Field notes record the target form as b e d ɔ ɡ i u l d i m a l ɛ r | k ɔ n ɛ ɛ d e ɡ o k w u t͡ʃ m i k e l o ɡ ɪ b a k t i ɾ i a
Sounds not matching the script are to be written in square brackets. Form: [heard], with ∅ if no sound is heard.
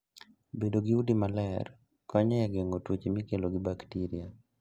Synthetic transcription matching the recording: b e d [o] ɡ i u [∅] d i m a l ɛ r | k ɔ [ɲ] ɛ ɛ [ɡ] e [ŋ] o [t] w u t͡ʃ m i k e l o ɡ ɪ b a k t i ɾ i a